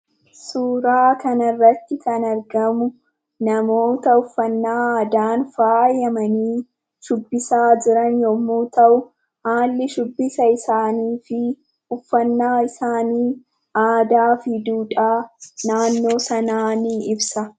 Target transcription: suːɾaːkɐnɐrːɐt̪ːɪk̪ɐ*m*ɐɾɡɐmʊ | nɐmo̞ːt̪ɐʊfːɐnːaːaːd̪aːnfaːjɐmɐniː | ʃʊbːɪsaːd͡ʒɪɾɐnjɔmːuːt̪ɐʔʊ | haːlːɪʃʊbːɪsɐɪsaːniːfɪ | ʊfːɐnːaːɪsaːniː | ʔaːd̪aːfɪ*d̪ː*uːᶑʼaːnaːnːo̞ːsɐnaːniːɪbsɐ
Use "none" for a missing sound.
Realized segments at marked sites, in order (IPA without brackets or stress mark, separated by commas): n, d̪